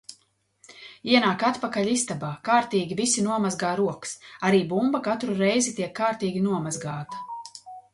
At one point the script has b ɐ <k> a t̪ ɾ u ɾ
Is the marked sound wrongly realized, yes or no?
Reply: no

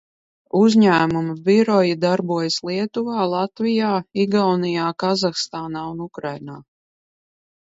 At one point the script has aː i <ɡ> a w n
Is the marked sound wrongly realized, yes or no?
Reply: no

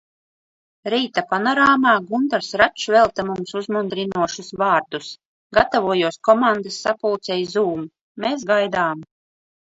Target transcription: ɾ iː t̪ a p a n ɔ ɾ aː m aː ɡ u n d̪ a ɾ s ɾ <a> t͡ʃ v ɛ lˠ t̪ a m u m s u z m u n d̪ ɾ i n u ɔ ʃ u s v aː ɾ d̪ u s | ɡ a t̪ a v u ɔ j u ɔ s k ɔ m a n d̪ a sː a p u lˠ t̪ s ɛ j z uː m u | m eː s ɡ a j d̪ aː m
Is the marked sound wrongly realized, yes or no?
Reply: no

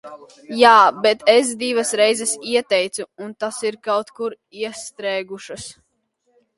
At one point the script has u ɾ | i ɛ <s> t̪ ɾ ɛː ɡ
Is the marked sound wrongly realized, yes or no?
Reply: no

